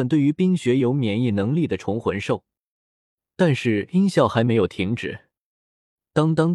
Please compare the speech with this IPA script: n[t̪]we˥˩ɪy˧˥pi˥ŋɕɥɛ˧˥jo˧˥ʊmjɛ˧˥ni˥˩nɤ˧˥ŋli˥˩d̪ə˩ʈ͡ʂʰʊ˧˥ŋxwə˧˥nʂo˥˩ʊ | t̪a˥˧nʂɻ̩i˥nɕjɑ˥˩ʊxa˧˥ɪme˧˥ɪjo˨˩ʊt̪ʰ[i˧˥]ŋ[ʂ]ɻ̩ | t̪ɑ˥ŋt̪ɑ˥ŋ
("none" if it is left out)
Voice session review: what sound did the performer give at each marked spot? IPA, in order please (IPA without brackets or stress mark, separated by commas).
t̪, i˧˥, ʈ͡ʂ